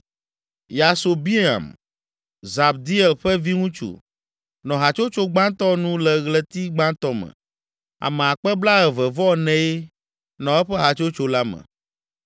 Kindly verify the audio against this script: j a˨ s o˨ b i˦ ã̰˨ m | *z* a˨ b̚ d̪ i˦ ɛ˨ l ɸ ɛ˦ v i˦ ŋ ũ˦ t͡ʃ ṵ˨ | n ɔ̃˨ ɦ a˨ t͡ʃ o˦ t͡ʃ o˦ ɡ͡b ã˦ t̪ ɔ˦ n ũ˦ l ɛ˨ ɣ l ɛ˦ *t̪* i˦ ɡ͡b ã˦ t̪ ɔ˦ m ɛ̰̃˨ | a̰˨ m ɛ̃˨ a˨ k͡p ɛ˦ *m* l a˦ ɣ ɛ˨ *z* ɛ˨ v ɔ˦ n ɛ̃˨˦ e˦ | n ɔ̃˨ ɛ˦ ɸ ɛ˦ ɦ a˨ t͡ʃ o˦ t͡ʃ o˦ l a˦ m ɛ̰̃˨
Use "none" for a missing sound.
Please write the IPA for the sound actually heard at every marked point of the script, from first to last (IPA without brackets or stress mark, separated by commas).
z, t̪, b, v